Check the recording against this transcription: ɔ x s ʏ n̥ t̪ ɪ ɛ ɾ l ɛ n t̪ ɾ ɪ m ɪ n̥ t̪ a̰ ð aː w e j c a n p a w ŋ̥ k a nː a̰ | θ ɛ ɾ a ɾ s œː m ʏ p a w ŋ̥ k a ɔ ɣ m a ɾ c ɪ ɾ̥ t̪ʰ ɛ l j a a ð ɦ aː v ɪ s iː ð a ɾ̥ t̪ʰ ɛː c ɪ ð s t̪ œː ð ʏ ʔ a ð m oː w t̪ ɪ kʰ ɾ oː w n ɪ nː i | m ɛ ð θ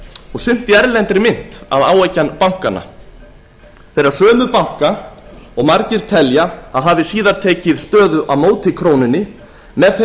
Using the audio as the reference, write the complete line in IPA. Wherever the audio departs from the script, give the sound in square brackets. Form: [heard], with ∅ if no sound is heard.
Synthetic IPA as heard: ɔ [ɣ] s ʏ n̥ t̪ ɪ ɛ ɾ l ɛ n t̪ ɾ ɪ m ɪ n̥ t̪ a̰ ð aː w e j c a n p a w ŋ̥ k a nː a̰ | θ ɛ ɾ a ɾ s œː m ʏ p a w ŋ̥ k a ɔ ɣ m a ɾ c ɪ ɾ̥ t̪ʰ ɛ l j a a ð ɦ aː v ɪ s iː ð a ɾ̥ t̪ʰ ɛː c ɪ ð s t̪ œː ð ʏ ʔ a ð m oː w t̪ ɪ kʰ ɾ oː w n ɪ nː [ɪ] | m ɛ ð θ